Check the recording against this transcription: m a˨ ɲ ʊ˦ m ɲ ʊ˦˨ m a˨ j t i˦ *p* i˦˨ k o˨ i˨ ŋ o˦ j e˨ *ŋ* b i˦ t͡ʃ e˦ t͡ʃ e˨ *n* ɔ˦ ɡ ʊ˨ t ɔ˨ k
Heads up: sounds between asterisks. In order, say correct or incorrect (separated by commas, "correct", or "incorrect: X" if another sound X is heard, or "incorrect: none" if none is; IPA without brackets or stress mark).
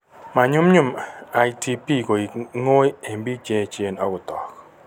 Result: correct, incorrect: m, correct